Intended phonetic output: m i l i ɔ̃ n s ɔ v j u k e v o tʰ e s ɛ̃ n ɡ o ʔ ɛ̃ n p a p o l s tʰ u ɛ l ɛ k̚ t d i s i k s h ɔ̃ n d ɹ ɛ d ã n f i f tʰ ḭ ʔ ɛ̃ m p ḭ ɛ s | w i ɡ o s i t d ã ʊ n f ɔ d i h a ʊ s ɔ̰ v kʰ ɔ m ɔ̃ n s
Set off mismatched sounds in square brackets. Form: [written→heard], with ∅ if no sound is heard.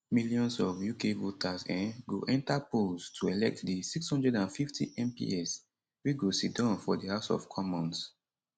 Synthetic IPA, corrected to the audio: m i l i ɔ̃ n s ɔ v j u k e v o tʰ [e→a] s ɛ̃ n ɡ o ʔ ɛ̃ n [p→t] a p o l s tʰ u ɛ l ɛ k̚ t d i s i k s h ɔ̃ n d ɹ ɛ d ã n f i f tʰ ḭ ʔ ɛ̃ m p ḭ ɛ s | w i ɡ o s i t d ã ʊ n f ɔ d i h a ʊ s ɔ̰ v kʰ ɔ m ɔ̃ n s